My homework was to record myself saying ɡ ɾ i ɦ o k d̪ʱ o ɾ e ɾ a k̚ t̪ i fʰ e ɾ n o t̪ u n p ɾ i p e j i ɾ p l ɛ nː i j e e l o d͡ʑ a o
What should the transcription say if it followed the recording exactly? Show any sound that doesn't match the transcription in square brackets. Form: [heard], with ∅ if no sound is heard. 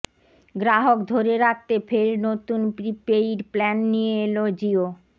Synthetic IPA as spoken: ɡ ɾ [a] ɦ o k d̪ʱ o ɾ e ɾ a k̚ t̪ [e] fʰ e ɾ n o t̪ u n p ɾ i p e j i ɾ p l ɛ nː i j e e l o d͡ʑ [i] o